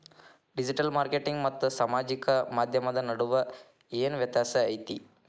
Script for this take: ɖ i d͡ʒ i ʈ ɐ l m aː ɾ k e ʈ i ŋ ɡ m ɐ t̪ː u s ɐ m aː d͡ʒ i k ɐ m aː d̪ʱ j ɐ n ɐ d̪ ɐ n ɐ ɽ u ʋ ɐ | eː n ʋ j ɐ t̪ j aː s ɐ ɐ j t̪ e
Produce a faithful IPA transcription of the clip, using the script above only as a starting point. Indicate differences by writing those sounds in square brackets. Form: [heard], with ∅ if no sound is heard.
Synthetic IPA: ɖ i d͡ʒ i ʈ ɐ l m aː ɾ k e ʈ i ŋ ɡ m ɐ t̪ː u s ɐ m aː d͡ʒ i k ɐ m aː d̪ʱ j ɐ [m] ɐ d̪ ɐ n ɐ ɽ u ʋ ɐ | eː n ʋ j ɐ t̪ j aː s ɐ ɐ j t̪ [i]